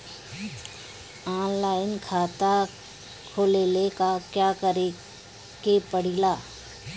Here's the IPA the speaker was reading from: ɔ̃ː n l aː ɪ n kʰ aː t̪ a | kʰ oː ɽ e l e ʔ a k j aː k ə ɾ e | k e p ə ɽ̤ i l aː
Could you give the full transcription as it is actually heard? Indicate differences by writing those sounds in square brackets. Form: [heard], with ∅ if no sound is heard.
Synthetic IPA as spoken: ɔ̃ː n l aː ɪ n kʰ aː t̪ a | kʰ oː [l] e l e [k] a k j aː k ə ɾ e | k e p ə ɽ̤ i l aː

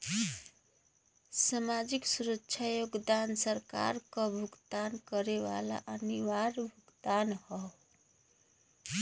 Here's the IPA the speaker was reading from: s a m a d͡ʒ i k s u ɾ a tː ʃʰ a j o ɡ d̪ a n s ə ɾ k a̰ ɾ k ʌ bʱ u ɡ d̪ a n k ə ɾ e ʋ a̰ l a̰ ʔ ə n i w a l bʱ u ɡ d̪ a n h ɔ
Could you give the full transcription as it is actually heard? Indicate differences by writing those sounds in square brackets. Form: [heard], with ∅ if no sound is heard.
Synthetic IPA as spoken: s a m a d͡ʒ i k s u ɾ [ə] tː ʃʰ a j o ɡ d̪ a n s ə ɾ k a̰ ɾ k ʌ bʱ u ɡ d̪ a n k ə ɾ e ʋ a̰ l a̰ ʔ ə n i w a [ɾ] bʱ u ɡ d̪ a n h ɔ

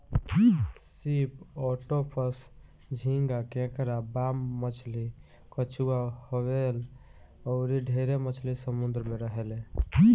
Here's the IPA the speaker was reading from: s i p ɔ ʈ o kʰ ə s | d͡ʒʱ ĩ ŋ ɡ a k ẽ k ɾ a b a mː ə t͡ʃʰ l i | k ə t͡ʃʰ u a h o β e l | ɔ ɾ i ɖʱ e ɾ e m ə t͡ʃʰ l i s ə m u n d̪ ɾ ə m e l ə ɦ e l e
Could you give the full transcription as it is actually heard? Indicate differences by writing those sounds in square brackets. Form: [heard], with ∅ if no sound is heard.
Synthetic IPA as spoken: s i p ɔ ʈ o [pʰ] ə s | d͡ʒʱ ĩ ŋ ɡ a k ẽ k ɾ a b a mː ə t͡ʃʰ l i | k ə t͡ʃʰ u a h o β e l | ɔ ɾ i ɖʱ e ɾ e m ə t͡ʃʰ l i s ə m u n d̪ ɾ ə m e [ɾ] ə ɦ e l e

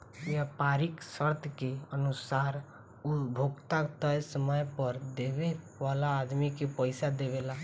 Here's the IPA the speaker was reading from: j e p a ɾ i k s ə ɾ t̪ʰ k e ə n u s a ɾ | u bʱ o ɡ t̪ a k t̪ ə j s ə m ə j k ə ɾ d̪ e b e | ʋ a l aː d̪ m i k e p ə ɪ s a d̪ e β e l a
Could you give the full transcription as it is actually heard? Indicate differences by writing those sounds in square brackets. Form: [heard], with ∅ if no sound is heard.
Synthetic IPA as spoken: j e p a ɾ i k s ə ɾ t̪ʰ k e ə n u s a ɾ | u bʱ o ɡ t̪ a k t̪ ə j s ə m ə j [p] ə ɾ d̪ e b e | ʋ a l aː d̪ m i k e p ə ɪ s a d̪ e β e l a

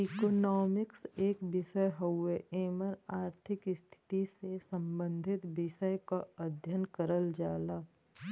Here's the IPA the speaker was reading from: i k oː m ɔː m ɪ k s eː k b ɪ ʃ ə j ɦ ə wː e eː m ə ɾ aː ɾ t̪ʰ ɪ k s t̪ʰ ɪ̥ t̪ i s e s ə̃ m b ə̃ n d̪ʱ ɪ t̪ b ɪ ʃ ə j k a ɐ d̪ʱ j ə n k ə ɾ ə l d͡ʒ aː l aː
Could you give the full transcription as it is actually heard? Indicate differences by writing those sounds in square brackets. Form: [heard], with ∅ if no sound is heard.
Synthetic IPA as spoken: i k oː [n] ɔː m ɪ k s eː k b ɪ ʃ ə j ɦ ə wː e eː m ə ɾ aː ɾ t̪ʰ ɪ k s t̪ʰ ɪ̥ t̪ i s e s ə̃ m b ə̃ n d̪ʱ ɪ t̪ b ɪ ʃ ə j k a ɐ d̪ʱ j ə n k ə ɾ ə l d͡ʒ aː l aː

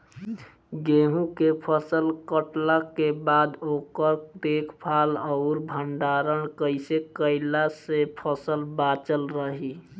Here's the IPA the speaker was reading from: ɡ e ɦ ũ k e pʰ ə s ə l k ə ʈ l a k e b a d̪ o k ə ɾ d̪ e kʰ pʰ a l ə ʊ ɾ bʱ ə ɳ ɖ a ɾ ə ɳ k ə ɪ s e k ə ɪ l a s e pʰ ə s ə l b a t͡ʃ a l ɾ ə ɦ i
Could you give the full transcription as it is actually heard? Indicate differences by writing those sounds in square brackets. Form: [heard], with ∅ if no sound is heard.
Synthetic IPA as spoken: ɡ e ɦ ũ k e pʰ ə s ə l k ə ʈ l a k e b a d̪ o k ə ɾ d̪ e kʰ pʰ a l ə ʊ ɾ bʱ ə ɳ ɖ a ɾ ə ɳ k ə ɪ s e k ə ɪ l a s e pʰ ə s ə l b a t͡ʃ [ə] l ɾ ə ɦ i

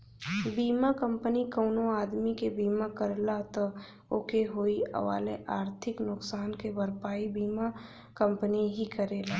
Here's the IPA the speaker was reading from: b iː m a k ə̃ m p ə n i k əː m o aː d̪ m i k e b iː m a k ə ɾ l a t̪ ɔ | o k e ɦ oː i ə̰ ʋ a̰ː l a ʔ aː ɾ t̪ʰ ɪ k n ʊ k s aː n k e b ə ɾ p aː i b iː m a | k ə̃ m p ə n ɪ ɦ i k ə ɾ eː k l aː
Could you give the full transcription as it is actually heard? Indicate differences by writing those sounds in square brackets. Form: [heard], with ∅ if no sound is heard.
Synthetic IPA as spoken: b iː m a k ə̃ m p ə n i k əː [n] o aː d̪ m i k e b iː m a k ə ɾ l a t̪ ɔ | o k e ɦ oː i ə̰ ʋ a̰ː l [e] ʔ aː ɾ t̪ʰ ɪ k n ʊ k s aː n k e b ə ɾ p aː i b iː m a | k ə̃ m p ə n [i] ɦ i k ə ɾ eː [∅] l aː

